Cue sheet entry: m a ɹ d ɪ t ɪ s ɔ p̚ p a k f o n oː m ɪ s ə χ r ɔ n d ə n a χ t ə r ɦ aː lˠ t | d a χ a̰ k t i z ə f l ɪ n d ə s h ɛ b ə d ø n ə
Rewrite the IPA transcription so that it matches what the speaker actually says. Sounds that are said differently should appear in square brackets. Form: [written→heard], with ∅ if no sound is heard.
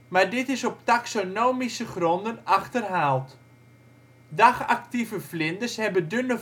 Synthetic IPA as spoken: m a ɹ d ɪ t ɪ s ɔ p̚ [p→t] a k [f→s] o n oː m [ɪ→i] s ə χ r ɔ n d ə n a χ t ə r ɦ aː lˠ t | d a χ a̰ k t i [z→v] ə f l ɪ n d ə s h ɛ b ə d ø n ə